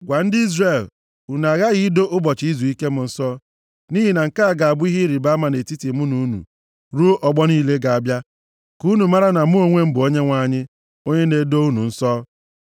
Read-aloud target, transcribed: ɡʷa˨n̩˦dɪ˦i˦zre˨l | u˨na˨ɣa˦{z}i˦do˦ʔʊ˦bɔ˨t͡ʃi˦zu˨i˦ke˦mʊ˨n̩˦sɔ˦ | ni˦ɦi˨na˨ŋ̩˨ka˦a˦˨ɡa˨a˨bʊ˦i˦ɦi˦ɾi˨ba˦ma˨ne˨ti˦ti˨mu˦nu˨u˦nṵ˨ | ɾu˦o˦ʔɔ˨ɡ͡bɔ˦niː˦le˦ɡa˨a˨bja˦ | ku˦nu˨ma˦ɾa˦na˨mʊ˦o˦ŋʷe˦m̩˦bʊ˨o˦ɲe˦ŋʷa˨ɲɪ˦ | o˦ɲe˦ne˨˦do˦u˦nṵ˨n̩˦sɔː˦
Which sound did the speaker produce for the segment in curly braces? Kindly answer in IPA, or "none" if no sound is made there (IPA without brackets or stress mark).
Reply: ɣ